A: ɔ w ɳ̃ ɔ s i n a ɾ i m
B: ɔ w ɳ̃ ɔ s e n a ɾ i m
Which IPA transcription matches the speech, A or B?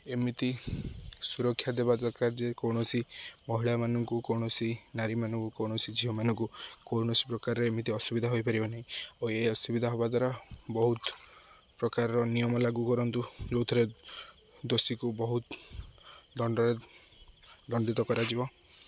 A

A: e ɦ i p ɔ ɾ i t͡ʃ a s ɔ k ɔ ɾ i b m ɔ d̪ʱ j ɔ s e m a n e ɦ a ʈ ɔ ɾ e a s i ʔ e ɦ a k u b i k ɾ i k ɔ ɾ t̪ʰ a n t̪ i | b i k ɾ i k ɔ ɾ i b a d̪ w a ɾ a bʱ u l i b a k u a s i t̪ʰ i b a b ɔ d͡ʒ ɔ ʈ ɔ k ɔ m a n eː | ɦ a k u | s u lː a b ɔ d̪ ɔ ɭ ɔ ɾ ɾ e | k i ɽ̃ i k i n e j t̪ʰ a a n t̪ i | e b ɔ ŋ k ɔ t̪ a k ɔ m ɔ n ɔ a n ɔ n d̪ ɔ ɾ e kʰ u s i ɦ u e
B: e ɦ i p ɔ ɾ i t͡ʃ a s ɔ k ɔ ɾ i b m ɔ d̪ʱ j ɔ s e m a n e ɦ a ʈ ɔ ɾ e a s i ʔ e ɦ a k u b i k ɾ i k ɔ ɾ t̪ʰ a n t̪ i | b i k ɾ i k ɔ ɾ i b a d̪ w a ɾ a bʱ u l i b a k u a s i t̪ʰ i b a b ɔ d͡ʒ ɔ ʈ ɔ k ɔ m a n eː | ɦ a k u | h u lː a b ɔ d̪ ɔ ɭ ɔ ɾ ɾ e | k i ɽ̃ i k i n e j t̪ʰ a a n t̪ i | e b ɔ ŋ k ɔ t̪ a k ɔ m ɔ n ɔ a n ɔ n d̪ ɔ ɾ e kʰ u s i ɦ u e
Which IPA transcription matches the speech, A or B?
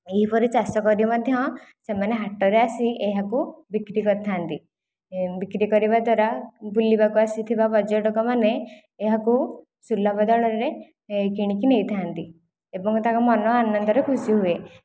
A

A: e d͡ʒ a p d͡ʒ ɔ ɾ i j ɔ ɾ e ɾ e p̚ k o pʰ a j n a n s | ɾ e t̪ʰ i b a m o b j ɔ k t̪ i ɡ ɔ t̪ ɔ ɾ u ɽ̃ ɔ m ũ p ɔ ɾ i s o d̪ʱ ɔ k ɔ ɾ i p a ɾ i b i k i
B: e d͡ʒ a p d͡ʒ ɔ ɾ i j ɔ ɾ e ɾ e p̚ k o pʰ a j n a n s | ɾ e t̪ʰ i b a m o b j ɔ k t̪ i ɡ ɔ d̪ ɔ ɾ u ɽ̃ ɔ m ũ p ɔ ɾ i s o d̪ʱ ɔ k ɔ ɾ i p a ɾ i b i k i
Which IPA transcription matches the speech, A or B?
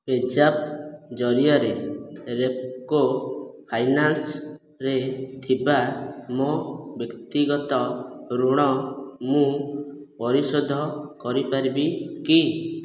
A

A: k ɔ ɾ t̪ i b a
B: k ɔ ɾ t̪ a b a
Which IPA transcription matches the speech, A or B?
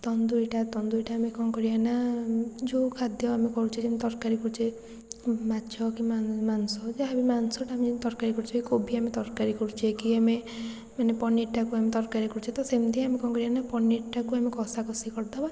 B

